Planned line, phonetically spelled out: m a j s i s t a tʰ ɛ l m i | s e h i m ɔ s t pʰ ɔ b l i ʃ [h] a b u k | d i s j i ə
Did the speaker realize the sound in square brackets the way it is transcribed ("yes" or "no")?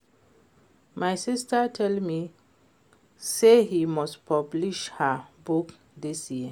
yes